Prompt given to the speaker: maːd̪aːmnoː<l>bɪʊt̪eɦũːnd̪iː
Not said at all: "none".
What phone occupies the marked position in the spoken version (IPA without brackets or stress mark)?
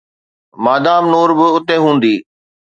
ɾ